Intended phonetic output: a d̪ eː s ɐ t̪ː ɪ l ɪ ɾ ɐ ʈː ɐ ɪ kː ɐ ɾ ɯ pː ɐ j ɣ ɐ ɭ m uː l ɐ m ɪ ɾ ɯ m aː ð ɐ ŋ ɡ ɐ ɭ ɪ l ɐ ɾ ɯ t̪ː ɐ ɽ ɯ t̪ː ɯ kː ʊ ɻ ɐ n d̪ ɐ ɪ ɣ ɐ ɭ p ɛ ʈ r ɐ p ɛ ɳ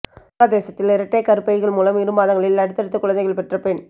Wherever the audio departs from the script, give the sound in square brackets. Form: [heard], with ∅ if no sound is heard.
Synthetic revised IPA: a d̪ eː s ɐ t̪ː ɪ l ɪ ɾ ɐ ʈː ɐ ɪ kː ɐ ɾ ɯ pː ɐ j ɣ ɐ ɭ m uː l ɐ m ɪ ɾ ɯ m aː ð ɐ ŋ ɡ ɐ ɭ ɪ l ɐ [ɽ] ɯ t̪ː ɐ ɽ ɯ t̪ː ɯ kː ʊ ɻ ɐ n d̪ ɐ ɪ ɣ ɐ ɭ p ɛ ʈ r ɐ p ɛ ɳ